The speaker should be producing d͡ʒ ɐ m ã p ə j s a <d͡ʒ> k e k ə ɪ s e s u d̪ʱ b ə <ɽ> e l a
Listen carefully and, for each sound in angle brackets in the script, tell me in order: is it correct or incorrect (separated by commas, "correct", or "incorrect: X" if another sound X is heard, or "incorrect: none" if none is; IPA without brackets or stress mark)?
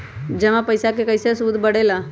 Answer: incorrect: none, correct